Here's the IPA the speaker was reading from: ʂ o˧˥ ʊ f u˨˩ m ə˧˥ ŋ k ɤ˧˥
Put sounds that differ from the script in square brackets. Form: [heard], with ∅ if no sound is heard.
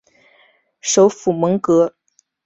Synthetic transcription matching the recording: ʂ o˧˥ ʊ f u˨˩ m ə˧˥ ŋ k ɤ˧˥